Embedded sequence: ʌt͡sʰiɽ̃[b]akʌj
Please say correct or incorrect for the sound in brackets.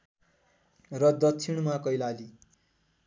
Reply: incorrect